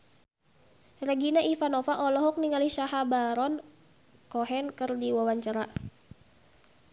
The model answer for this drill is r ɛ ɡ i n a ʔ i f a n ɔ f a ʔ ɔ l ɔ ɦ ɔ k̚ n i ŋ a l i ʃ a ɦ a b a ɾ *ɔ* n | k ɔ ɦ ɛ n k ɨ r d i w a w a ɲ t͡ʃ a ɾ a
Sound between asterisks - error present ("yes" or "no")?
no